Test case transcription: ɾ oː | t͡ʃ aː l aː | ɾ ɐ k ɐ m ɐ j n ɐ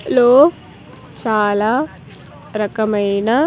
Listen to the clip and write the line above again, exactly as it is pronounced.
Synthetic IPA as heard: l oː | t͡ʃ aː l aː | ɾ ɐ k ɐ m ɐ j n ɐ